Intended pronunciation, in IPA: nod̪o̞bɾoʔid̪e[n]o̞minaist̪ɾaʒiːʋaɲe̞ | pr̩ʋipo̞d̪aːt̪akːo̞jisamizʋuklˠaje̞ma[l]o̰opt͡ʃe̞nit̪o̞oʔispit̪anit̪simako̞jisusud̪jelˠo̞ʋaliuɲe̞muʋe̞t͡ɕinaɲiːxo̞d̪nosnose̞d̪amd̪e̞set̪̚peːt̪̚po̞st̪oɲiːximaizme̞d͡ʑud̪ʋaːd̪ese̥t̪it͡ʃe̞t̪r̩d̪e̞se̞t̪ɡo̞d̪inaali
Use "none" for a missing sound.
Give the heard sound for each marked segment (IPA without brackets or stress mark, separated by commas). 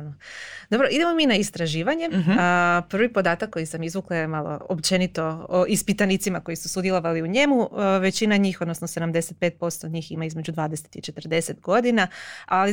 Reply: m, l